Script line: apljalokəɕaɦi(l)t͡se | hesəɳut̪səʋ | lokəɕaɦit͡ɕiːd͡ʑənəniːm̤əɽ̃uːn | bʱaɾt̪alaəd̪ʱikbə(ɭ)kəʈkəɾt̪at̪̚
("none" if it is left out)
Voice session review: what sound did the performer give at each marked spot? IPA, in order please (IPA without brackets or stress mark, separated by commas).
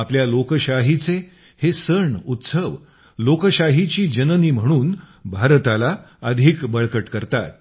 none, ɭ